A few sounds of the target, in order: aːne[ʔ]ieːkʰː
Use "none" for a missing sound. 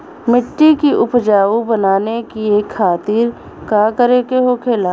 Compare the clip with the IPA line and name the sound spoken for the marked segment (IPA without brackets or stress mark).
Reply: k